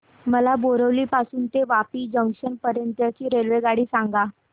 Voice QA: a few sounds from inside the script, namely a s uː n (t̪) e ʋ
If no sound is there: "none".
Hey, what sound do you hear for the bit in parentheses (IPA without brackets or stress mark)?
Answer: t̪